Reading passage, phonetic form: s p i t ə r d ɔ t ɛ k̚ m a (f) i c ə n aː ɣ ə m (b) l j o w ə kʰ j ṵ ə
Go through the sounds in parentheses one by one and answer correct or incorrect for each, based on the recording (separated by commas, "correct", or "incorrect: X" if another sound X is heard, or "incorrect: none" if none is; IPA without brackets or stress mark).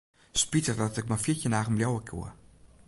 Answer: correct, correct